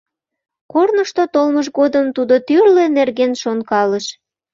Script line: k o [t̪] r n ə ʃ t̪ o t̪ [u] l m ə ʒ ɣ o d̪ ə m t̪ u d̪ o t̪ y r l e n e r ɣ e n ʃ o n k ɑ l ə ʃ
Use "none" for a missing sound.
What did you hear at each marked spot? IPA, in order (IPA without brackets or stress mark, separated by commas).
none, o